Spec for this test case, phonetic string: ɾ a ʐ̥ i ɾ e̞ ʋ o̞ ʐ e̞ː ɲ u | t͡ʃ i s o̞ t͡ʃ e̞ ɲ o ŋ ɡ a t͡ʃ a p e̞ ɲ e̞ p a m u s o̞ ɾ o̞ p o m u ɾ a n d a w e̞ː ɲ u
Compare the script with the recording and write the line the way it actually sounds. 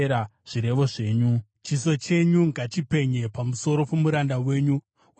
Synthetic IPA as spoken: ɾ a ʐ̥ i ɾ e̞ ʋ o̞ ʐ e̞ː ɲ u | t͡ʃ i s o̞ t͡ʃ e̞ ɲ u ŋ ɡ a t͡ʃ i p e̞ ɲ e̞ p a m u s o̞ ɾ o̞ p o m u ɾ a n d a w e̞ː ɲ u